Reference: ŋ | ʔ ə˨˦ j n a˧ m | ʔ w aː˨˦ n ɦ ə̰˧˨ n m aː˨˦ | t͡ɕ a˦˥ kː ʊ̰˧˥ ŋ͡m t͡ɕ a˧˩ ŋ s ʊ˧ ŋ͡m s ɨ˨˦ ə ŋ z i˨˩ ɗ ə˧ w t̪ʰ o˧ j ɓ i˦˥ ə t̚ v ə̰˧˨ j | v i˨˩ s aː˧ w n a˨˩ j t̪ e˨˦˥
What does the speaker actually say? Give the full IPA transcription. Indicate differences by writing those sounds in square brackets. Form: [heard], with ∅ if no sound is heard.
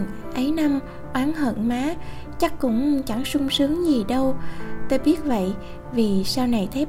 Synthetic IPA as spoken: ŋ | ʔ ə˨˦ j n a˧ m | ʔ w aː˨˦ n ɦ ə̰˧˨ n m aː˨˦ | t͡ɕ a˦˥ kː ʊ̰˧˥ ŋ͡m t͡ɕ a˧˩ ŋ s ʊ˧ ŋ͡m s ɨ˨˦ ə ŋ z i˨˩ ɗ ə˧ w [t̪] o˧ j ɓ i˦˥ ə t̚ v ə̰˧˨ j | v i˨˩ s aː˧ w n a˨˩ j [t̪ʰ] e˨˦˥